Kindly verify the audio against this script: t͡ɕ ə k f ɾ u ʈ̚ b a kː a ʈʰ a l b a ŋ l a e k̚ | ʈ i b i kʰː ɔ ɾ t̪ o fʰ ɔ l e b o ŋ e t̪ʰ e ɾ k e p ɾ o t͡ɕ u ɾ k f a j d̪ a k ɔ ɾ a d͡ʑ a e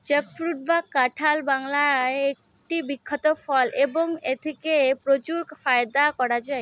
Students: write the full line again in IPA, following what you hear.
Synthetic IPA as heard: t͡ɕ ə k f ɾ u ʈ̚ b a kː a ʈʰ a l b a ŋ l a e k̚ | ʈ i b i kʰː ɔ t̪ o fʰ ɔ l e b o ŋ e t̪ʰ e k e p ɾ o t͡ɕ u ɾ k f a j d̪ a k ɔ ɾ a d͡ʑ a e

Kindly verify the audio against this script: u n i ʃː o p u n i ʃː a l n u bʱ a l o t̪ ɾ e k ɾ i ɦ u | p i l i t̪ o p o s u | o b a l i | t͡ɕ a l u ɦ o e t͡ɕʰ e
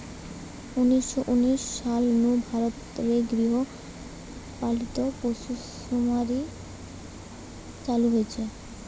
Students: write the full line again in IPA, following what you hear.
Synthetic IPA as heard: u n i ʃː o ʔ u n i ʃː a l n u bʱ a ɾ o t̪ ɾ e ɡ ɾ i ɦ o | p a l i t̪ o p o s u | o m a ɾ i | t͡ɕ a l u ɦ o e t͡ɕʰ e

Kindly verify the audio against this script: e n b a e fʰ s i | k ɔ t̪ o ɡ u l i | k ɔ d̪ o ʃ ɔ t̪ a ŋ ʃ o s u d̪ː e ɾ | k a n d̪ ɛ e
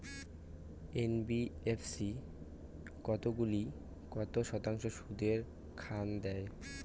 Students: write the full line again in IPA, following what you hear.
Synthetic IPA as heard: e n b i e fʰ s i | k ɔ t̪ o ɡ u l i | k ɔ t̪ o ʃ ɔ t̪ a ŋ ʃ o ʃ u d̪ e ɾ | kʰ a n d̪ ɛ e

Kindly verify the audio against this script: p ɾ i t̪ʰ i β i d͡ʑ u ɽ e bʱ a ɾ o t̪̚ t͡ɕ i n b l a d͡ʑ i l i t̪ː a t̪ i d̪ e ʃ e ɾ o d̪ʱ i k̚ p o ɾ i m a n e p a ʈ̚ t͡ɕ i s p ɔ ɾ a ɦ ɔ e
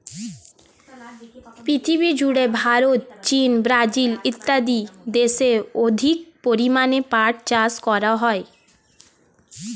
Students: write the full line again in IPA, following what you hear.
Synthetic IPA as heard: p ɾ i t̪ʰ i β i d͡ʑ u ɽ e bʱ a ɾ o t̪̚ t͡ɕ i n b ɾ a d͡ʑ i l i t̪ː a d̪ i d̪ e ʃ e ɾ o d̪ʱ i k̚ p o ɾ i m a n e p a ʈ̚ t͡ɕ a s k ɔ ɾ a ɦ ɔ e

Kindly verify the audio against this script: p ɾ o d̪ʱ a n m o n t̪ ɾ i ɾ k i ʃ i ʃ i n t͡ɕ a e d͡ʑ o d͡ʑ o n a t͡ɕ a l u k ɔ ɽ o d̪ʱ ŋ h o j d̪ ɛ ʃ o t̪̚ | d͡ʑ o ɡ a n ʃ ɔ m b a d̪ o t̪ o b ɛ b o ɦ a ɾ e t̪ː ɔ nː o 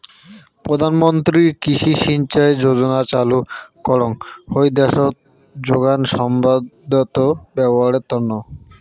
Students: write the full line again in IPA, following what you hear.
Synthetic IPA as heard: p ɾ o d̪ʱ a n m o n t̪ ɾ i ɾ k i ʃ i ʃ i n t͡ɕ a e d͡ʑ o d͡ʑ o n a t͡ɕ a l u k ɔ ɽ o ŋ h o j d̪ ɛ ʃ o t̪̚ | d͡ʑ o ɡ a n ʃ ɔ m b a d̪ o t̪ o b ɛ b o ɦ a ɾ e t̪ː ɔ nː o

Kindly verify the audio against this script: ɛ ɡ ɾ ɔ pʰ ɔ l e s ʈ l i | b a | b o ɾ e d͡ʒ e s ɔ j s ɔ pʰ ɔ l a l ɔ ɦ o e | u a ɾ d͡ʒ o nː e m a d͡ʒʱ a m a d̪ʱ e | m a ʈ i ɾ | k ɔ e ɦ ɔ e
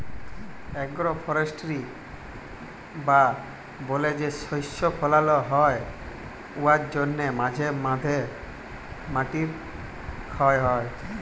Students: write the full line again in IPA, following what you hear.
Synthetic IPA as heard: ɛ ɡ ɾ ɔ pʰ ɔ ɾ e s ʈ ɾ i | b a | b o l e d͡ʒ e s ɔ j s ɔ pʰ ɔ l a l ɔ ɦ ɔ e | u a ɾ d͡ʒ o nː e m a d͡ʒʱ e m a d̪ʱ e | m a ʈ i ɾ | kʰ ɔ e ɦ ɔ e

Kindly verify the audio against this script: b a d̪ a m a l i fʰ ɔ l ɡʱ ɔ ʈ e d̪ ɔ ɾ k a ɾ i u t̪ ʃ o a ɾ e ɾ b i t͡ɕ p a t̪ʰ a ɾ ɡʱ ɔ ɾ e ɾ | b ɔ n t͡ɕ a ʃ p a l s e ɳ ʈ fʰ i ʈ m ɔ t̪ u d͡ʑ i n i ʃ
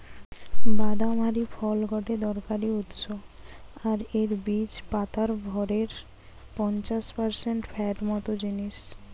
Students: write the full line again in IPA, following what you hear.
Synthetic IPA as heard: b a d̪ a m a ɾ i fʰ ɔ l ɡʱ ɔ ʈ e d̪ ɔ ɾ k a ɾ i u t̪ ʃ o a ɾ e ɾ b i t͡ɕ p a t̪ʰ a ɾ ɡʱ ɔ ɾ e ɾ | p ɔ n t͡ɕ a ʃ p a ɾ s e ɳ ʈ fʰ ɛ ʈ m ɔ t̪ o d͡ʑ i n i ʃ

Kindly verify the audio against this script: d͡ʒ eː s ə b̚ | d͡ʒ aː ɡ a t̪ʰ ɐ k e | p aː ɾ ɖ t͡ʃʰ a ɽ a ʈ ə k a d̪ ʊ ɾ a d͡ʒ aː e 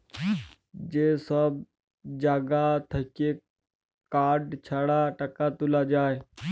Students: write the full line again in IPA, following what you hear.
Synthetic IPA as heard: d͡ʒ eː s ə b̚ | d͡ʒ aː ɡ a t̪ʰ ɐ k e | k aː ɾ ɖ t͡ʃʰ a ɽ a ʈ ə k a t̪ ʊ l a d͡ʒ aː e

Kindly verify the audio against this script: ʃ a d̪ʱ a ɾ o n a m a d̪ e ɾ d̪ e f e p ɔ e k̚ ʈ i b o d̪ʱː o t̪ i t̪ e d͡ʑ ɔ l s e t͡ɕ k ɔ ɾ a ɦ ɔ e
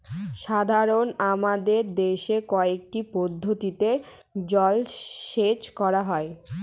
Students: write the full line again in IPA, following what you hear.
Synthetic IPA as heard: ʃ a d̪ʱ a ɾ o n a m a d̪ e ɾ d̪ e ʃ e k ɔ e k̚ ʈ i p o d̪ʱː o t̪ i t̪ e d͡ʑ ɔ l ʃ e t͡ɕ k ɔ ɾ a ɦ ɔ e

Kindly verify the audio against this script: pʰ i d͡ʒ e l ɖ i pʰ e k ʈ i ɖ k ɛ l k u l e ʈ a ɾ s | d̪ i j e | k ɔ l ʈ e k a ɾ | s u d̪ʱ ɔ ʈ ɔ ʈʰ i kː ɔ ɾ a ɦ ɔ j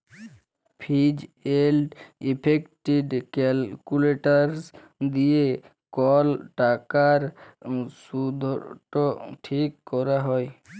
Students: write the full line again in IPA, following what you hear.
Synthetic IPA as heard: pʰ i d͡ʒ e l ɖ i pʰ e k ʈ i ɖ k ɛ l k u l e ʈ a ɾ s | d̪ i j e | k ɔ l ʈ a k a ɾ | s u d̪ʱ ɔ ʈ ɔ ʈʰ i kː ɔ ɾ a ɦ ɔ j

